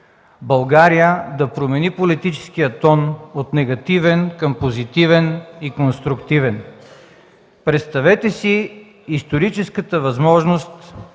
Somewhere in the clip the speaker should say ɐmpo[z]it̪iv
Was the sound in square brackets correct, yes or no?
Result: yes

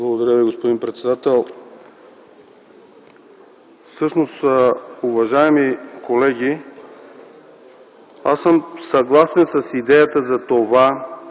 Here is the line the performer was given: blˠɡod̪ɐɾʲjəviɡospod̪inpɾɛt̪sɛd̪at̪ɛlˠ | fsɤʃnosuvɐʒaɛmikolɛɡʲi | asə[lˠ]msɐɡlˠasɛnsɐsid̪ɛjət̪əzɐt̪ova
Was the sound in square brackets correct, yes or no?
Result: no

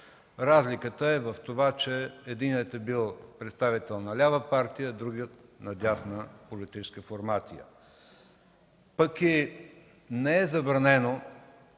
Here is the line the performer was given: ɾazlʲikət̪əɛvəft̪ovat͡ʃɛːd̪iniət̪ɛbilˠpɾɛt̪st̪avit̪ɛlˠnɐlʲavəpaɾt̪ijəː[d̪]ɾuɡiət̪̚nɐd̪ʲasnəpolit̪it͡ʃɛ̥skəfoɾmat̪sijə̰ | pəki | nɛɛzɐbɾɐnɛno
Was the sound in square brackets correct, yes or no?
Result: yes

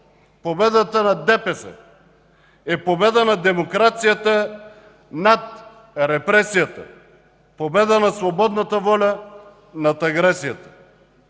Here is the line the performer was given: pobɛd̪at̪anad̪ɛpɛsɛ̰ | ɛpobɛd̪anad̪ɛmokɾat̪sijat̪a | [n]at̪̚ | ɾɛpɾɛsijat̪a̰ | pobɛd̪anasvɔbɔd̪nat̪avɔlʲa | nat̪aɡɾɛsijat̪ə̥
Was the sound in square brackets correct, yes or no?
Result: yes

